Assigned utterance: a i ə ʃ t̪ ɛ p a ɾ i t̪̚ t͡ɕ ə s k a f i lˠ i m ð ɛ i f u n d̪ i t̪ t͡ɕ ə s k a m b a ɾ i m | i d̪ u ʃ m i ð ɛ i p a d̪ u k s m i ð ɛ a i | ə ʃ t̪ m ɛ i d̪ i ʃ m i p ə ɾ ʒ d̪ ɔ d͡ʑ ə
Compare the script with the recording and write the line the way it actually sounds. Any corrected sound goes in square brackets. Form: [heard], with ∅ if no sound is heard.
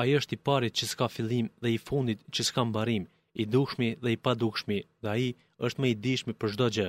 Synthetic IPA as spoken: a i ə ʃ t̪ [i] p a ɾ i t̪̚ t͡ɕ ə s k a f i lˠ i m ð ɛ i f u n d̪ i t̪ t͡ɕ ə s k a m b a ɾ i m | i d̪ u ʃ m i ð ɛ i p a d̪ u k [ʃ] m i ð ɛ a i | ə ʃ t̪ m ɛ i d̪ i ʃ m i p ə ɾ ʒ d̪ ɔ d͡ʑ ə